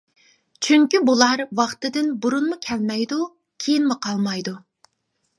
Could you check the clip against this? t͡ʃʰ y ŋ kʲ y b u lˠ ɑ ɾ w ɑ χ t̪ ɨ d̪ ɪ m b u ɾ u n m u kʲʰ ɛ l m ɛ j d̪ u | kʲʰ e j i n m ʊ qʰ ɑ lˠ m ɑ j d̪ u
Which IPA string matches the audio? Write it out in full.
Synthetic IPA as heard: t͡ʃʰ y ŋ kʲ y b u lˠ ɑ ɾ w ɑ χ t̪ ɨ d̪ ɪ n b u ɾ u n m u kʲʰ ɛ l m ɛ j d̪ u | kʲʰ e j i n m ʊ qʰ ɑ lˠ m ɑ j d̪ u

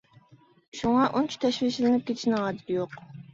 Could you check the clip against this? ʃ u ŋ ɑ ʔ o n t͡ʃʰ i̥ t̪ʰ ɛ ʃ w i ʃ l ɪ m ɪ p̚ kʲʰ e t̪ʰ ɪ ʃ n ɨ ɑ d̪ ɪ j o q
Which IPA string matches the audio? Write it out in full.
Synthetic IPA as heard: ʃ u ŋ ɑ ʔ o n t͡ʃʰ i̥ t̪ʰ ɛ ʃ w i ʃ l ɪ n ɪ p̚ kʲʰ e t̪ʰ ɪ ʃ n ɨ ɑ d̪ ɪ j o q

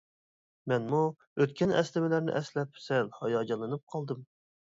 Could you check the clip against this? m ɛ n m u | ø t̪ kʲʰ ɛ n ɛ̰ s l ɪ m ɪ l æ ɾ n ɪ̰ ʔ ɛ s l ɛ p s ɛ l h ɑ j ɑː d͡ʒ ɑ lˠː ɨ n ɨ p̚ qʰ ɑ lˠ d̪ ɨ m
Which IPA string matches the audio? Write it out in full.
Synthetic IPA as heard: m ɛ n m u | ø t̪ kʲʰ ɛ n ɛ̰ s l ɪ m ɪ l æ ɾ n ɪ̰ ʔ ɛ s l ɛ p s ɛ l h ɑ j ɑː d͡ʒ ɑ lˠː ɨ n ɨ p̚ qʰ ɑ lˠ d̪ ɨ m

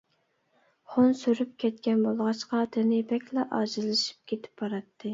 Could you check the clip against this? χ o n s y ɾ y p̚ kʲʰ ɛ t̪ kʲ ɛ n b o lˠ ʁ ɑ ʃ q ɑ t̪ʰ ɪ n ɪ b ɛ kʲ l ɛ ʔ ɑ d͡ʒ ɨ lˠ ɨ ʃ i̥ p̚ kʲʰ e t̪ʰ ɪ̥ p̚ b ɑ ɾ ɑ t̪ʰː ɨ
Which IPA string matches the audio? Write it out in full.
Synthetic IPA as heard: χ o n s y ɾ y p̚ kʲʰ ɛ t̪ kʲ ɛ n b o lˠ ʁ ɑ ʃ q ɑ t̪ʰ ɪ n ɪ b ɛ kʲ l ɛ ʔ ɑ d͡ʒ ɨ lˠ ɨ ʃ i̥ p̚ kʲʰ e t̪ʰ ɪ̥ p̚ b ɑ ɾ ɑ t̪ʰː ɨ

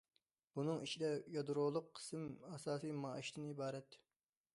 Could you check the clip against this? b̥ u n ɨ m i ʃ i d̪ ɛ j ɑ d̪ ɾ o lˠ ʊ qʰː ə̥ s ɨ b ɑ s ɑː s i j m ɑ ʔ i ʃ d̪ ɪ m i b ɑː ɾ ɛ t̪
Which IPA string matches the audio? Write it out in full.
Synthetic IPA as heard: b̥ u n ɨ ŋ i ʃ i d̪ ɛ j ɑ d̪ ɾ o lˠ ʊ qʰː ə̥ s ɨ m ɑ s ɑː s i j m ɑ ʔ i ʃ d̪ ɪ n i b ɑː ɾ ɛ t̪

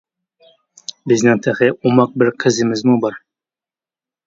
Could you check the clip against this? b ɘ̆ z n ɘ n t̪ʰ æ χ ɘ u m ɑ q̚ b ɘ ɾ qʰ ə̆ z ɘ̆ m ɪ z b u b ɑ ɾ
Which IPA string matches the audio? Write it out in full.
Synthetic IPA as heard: b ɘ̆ z n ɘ ŋ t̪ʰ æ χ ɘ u m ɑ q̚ b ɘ ɾ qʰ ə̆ z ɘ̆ m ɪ z m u b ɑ ɾ

